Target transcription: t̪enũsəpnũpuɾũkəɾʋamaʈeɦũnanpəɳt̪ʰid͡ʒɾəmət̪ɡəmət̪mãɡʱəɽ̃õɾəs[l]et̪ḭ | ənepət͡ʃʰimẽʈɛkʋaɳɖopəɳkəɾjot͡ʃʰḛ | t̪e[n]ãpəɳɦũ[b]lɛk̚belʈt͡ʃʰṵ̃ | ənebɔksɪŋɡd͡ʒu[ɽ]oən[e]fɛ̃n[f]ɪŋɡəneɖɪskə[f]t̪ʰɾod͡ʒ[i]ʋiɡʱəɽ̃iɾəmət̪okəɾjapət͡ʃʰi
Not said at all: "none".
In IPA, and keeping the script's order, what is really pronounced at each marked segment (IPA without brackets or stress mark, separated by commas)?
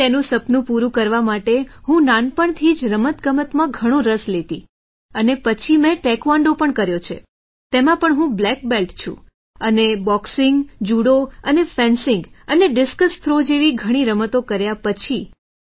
l, m, b, ɽ, e, s, s, e